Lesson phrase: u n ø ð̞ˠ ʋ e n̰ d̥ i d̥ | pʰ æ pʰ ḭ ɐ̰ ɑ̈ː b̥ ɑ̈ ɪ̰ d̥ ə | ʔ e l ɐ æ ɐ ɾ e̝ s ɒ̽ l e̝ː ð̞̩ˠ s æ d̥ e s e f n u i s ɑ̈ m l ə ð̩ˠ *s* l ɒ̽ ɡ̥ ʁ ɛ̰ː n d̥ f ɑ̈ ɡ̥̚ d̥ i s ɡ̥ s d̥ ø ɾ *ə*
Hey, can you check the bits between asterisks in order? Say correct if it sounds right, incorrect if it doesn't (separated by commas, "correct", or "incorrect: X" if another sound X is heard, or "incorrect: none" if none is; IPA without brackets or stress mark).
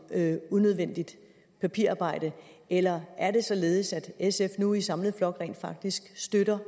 incorrect: f, incorrect: ɐ